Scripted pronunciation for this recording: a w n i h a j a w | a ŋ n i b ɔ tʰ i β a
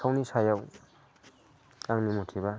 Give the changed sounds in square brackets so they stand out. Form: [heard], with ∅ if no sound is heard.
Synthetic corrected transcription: a w n i [s] a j a w | a ŋ n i [m] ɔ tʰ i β a